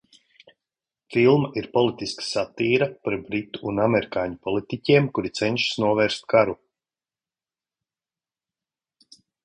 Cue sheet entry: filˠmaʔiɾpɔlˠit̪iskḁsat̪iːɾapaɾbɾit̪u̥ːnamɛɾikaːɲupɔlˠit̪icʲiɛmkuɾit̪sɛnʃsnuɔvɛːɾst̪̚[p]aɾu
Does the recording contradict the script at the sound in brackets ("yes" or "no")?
yes